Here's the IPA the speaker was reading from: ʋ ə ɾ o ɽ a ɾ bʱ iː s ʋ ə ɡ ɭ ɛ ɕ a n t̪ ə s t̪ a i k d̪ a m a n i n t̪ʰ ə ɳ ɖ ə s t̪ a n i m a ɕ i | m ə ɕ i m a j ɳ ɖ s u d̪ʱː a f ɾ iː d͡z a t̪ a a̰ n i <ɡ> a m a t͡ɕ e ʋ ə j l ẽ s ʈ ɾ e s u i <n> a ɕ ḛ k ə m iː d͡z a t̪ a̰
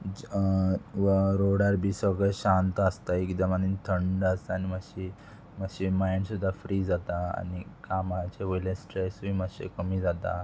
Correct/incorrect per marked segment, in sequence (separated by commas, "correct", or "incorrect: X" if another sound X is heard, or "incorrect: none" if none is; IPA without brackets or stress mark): incorrect: k, incorrect: m